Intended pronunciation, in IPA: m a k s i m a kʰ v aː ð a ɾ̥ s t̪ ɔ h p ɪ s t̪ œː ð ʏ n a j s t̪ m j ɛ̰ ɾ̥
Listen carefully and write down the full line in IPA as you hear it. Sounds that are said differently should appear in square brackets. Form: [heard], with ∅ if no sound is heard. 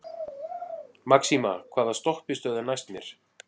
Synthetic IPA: m a k s i m a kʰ v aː ð a [∅] s t̪ ɔ h p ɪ s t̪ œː ð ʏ n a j s t̪ m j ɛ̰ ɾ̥